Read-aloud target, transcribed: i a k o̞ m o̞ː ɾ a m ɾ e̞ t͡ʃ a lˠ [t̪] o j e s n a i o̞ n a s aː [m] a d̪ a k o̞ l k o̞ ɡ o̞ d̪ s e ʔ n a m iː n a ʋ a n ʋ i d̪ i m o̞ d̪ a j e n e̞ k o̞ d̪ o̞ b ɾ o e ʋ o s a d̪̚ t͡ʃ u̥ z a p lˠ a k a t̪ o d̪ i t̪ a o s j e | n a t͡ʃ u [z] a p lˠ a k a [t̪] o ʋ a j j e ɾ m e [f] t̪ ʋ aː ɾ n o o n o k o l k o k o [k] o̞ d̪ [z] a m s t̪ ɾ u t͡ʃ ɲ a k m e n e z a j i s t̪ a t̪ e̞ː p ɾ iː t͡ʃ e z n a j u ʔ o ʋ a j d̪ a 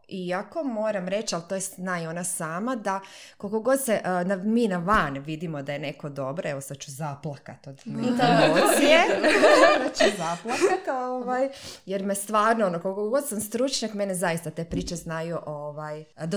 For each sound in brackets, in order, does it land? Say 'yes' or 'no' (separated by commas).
yes, yes, yes, yes, no, no, no